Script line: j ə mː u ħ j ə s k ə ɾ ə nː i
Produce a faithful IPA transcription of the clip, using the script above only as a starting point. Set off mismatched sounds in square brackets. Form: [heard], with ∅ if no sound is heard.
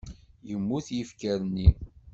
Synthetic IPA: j ə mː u [θ] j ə [f] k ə ɾ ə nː i